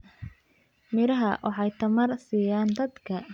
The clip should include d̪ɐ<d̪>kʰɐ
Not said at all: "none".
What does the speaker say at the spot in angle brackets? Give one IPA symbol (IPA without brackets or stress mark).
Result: d̪